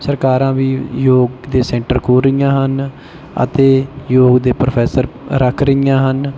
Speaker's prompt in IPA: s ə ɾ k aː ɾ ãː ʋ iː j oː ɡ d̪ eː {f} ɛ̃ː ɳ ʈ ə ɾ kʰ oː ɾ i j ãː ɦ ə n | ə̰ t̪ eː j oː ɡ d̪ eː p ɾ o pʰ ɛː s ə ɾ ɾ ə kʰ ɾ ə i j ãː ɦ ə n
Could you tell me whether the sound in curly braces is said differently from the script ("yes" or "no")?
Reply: yes